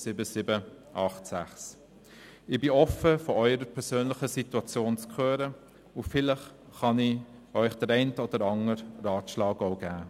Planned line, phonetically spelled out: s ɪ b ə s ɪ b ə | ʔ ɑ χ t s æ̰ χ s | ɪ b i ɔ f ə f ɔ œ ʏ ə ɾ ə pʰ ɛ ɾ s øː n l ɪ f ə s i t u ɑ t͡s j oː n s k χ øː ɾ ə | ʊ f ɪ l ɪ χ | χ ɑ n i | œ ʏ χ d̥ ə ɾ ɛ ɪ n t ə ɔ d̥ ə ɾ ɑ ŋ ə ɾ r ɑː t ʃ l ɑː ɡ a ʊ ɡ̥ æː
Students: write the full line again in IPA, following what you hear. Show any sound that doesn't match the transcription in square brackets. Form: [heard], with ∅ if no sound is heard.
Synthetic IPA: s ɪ b ə s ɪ b ə | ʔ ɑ χ t s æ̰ χ s | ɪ b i ɔ f ə f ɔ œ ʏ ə ɾ ə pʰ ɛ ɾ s øː n l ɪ [χ] ə s i t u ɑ t͡s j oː n [t͡s] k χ øː ɾ ə | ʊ f ɪ l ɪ χ | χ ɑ n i | œ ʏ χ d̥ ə ɾ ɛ ɪ n t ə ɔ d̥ ə ɾ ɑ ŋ ə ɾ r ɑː t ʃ l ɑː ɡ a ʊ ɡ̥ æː